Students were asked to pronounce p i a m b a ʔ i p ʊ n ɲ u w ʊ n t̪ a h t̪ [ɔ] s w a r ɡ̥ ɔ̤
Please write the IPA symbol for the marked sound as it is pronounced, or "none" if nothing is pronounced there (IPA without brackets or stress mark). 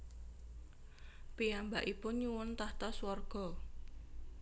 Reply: ɔ